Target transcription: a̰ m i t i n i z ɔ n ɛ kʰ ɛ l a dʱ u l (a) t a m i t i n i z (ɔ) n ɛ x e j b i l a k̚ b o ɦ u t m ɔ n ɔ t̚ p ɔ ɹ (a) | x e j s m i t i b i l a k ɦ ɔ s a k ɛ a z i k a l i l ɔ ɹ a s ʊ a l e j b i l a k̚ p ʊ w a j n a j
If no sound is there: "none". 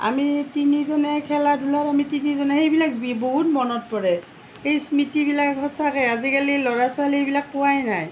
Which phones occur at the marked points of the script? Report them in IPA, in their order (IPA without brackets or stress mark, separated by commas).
a, ɔ, ɛ